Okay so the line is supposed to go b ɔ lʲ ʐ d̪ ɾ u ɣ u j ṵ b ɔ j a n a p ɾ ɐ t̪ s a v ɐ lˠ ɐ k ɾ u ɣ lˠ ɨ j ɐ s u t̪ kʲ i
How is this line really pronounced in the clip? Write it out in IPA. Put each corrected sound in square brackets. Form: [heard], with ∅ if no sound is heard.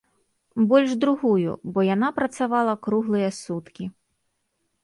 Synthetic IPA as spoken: b ɔ lʲ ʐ d̪ ɾ u ɣ u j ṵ b ɔ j a n a p ɾ ɐ t̪ s a v [a] lˠ ɐ k ɾ u ɣ lˠ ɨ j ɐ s u t̪ kʲ i